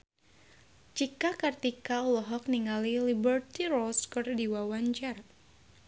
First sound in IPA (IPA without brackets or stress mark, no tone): t͡ʃ